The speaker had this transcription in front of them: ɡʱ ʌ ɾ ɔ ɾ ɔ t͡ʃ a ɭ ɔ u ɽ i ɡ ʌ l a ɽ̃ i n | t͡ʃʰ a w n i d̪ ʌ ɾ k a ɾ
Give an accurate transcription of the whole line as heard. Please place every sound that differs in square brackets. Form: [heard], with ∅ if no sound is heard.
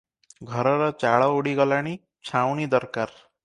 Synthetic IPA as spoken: ɡʱ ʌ ɾ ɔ ɾ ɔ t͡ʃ a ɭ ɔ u ɽ i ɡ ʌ l a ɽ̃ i [∅] | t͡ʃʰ a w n i d̪ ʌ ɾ k a ɾ